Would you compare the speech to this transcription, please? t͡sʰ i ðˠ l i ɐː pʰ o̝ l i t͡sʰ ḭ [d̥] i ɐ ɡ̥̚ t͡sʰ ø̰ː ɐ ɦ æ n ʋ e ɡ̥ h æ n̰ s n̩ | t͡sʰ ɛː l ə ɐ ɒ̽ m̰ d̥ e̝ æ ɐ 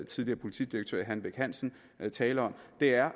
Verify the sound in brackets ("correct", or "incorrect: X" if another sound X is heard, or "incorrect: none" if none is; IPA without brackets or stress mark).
correct